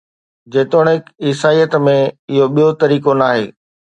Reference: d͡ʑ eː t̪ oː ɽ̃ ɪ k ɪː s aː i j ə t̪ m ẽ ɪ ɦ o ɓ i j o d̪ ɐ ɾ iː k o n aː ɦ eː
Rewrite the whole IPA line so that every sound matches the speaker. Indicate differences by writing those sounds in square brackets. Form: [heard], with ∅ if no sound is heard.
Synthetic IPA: d͡ʑ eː t̪ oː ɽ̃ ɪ k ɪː s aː i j ə t̪ m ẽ ɪ ɦ o ɓ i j o [t̪] ɐ ɾ iː k o n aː ɦ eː